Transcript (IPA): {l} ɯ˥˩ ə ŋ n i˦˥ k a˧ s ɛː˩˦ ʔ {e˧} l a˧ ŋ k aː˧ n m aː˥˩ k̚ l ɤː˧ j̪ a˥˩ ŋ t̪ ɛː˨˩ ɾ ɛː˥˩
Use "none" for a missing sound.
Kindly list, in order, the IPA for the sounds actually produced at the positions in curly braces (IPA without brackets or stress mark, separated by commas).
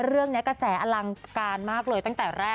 ɾ, a˧